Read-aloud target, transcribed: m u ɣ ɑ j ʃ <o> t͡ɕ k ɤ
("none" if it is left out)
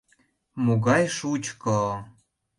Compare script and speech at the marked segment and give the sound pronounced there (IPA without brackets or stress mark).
u